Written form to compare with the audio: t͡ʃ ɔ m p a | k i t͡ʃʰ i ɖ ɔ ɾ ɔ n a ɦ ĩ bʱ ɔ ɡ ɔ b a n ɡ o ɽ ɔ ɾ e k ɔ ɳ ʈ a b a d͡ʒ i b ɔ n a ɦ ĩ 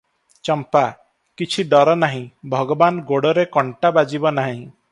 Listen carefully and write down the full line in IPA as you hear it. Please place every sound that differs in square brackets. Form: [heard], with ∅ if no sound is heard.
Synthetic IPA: t͡ʃ ɔ m p a | k i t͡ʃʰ i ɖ ɔ ɾ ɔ n a ɦ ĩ bʱ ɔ ɡ ɔ b a n ɡ o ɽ ɔ ɾ e k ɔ ɳ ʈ a b a d͡ʒ i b ɔ n a ɦ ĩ

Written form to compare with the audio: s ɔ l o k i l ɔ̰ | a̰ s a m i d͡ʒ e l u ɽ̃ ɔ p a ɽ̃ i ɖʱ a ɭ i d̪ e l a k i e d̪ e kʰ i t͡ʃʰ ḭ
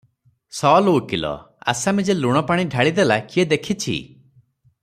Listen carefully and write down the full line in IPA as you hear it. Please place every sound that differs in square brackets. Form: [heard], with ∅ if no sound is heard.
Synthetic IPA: s ɔ l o k i l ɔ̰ | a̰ s a m i d͡ʒ e l u ɽ̃ ɔ p a ɽ̃ i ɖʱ a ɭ i d̪ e l a k i e d̪ e kʰ i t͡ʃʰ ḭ

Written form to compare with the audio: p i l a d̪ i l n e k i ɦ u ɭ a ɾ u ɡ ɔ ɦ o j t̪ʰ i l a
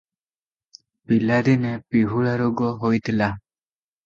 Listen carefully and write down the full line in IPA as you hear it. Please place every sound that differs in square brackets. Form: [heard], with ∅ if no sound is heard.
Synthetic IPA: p i l a d̪ i [∅] n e [p] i ɦ u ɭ a ɾ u ɡ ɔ ɦ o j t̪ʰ i l a

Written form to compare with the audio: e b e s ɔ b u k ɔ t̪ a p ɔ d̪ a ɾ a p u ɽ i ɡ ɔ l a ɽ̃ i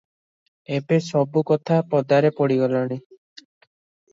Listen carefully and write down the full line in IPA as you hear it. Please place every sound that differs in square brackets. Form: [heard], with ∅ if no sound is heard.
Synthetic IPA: e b e s ɔ b u k ɔ [t̪ʰ] a p ɔ d̪ a ɾ [e] p [ɔ] ɽ i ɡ ɔ l a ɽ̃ i

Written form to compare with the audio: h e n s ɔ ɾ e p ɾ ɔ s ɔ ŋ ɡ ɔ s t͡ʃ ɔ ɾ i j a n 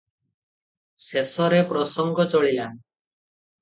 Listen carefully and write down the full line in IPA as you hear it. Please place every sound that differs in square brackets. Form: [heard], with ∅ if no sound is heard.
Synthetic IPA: [s] e [∅] s ɔ ɾ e p ɾ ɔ s ɔ ŋ ɡ ɔ [∅] t͡ʃ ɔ [ɭ] i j a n

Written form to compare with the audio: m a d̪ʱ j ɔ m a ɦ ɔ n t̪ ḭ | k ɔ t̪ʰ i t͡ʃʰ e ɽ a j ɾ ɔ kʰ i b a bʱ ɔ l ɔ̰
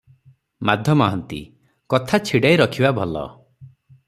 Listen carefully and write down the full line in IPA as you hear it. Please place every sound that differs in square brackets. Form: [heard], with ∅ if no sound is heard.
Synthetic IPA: m a d̪ʱ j ɔ m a ɦ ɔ n t̪ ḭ | k ɔ t̪ʰ [a] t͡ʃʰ [i] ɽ a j ɾ ɔ kʰ i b a bʱ ɔ l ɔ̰

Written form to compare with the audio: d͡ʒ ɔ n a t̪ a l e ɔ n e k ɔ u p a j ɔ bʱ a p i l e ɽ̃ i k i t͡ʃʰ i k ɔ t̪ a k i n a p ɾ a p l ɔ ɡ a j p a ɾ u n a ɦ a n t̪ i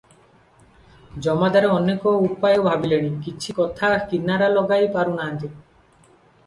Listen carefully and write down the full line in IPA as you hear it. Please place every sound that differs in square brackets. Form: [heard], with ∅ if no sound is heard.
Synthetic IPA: d͡ʒ ɔ [m] a [d̪] a [ɾ] e ɔ n e k ɔ u p a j ɔ bʱ a [b] i l e ɽ̃ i k i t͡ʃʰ i k ɔ [t̪ʰ] a k i n a [∅] ɾ a [∅] l ɔ ɡ a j p a ɾ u n a ɦ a n t̪ i

